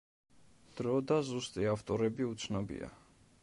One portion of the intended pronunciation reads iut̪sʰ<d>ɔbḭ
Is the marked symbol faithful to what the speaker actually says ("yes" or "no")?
no